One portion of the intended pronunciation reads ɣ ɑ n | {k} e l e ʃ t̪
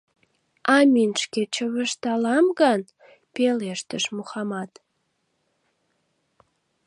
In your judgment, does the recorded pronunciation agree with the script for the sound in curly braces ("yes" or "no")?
no